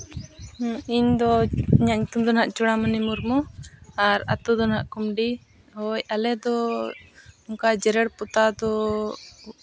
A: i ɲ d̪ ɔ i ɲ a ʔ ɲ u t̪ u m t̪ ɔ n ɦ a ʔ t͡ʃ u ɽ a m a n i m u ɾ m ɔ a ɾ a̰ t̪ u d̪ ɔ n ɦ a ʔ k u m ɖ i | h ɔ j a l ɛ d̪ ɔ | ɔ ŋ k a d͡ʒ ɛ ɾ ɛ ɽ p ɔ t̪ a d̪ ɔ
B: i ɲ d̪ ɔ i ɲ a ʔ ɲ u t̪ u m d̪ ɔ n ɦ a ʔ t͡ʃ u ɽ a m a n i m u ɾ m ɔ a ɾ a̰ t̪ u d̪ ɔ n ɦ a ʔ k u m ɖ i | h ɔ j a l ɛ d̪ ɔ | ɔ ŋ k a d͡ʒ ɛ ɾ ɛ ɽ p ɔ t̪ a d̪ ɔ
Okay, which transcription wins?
B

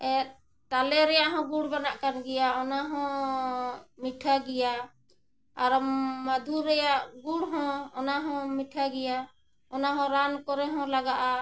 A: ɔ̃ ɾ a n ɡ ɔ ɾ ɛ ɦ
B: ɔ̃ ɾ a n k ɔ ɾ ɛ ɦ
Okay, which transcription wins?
B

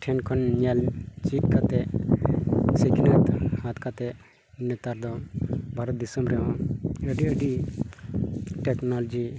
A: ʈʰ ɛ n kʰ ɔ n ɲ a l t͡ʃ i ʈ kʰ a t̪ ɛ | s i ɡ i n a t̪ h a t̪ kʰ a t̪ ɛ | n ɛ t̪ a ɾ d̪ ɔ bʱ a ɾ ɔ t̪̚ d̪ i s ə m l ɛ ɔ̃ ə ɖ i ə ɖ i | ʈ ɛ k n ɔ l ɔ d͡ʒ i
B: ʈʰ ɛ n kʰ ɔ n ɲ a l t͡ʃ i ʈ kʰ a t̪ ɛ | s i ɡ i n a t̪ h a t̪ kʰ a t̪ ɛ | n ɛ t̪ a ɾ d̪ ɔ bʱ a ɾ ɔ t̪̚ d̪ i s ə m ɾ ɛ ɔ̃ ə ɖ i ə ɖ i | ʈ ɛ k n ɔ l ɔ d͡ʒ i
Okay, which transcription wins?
B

